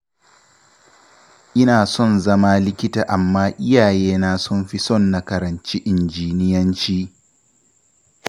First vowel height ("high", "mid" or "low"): high